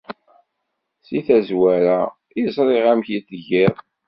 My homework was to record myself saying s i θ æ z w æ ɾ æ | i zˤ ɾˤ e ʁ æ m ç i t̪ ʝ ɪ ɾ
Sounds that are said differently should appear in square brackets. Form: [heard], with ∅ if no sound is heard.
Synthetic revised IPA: s i θ æ z w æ ɾ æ | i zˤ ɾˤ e ʁ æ m ç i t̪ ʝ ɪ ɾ